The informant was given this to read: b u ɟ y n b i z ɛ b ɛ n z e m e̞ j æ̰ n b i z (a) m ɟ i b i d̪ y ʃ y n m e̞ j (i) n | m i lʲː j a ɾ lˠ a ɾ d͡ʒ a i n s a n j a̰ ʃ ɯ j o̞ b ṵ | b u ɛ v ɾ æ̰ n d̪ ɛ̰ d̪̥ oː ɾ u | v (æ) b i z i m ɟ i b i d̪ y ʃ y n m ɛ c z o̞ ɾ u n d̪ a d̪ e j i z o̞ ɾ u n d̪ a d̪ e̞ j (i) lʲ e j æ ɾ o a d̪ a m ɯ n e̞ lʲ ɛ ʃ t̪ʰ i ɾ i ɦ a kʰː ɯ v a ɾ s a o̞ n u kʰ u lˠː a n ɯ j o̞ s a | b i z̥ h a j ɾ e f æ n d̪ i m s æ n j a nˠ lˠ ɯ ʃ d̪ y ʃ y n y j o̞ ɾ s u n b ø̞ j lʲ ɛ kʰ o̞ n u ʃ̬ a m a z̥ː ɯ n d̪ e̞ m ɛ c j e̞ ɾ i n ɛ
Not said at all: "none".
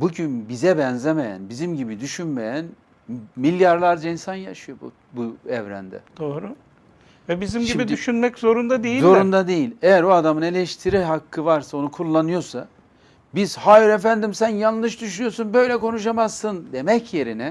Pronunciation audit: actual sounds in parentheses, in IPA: i, æ, ɛ, i

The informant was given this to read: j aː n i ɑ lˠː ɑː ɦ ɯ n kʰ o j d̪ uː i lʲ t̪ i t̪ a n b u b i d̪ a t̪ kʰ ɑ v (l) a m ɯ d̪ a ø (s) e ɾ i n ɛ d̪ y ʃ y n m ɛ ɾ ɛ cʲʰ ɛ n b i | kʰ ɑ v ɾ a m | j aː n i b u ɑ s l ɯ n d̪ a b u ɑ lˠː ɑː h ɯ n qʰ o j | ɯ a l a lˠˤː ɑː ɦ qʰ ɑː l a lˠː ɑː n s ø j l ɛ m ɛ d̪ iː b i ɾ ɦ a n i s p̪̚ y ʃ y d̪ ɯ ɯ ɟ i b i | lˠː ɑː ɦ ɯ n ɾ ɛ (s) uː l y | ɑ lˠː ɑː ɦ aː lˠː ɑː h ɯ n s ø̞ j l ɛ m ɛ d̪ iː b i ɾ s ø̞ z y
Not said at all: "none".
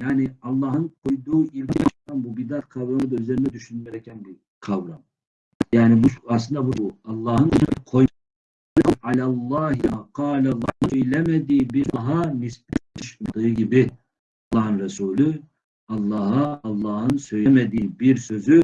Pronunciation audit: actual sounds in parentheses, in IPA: ɾ, z, s

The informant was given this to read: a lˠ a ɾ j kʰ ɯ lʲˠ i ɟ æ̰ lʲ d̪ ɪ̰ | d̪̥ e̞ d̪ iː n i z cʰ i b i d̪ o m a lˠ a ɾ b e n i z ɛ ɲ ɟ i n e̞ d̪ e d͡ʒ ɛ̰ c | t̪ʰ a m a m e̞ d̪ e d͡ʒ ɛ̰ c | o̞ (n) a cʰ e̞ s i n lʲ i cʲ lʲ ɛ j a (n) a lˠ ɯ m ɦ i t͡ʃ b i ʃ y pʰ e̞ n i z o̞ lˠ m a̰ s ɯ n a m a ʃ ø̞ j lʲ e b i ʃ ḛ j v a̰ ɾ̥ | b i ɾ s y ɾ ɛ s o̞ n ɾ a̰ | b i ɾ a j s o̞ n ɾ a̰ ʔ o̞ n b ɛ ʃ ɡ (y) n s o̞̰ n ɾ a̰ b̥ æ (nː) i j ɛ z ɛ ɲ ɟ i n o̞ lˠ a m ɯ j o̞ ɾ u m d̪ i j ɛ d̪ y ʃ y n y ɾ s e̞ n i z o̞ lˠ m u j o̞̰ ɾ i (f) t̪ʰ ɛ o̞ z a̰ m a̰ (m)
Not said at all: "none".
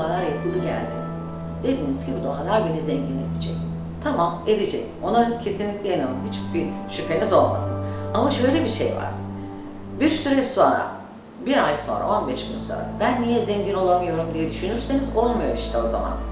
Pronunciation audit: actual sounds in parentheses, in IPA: n, n, y, nː, ʃ, n

